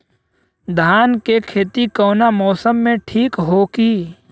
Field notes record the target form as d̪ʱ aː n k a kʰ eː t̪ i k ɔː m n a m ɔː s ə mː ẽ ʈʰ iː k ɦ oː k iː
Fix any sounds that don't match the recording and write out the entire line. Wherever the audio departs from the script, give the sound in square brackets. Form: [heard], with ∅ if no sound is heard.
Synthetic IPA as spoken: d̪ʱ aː n k [e] kʰ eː t̪ i k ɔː [∅] n a m ɔː s ə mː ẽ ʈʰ iː k ɦ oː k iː